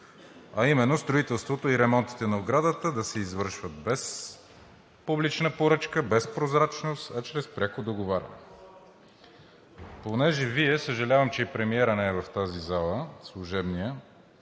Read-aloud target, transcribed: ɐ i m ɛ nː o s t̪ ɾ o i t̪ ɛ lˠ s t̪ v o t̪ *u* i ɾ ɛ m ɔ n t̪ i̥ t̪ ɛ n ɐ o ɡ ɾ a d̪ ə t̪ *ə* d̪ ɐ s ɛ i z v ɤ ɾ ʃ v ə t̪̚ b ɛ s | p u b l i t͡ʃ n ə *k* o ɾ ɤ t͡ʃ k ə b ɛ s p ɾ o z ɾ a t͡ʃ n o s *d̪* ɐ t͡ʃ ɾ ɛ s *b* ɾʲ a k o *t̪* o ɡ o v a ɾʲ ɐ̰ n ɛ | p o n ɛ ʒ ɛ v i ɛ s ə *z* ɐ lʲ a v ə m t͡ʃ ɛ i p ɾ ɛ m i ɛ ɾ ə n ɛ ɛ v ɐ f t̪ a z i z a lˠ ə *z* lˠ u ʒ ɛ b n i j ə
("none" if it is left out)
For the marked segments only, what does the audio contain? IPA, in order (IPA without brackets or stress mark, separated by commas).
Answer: o, ə, p, t̪, p, d̪, ʒ, s